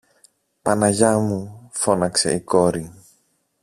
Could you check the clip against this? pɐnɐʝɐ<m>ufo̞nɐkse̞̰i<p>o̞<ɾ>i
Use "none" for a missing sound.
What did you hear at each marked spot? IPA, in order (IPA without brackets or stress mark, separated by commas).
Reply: m, k, ɾ